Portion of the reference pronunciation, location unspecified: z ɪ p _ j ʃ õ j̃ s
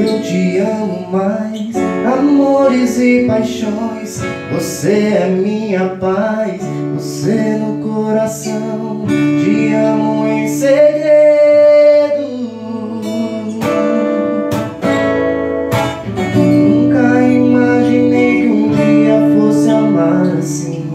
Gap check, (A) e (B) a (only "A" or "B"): B